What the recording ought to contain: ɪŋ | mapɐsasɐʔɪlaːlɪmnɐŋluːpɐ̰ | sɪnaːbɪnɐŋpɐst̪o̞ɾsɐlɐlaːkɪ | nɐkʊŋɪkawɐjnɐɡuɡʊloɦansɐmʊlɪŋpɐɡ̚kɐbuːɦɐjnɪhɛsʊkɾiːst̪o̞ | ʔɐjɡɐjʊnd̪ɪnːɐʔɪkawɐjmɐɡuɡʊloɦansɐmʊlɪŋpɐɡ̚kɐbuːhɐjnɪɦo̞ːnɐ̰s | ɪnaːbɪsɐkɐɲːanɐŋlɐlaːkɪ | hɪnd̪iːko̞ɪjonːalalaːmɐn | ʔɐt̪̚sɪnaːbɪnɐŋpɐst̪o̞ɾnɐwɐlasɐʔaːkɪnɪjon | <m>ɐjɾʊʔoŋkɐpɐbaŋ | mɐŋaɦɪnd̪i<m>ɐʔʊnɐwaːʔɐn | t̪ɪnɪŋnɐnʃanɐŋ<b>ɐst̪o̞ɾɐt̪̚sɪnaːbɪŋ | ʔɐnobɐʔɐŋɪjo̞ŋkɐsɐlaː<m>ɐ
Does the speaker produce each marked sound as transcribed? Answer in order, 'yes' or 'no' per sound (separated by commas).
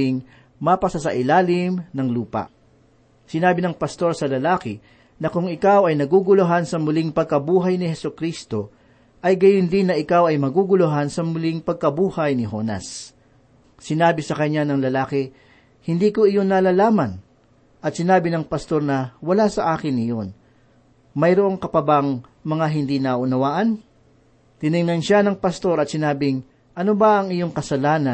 yes, no, no, no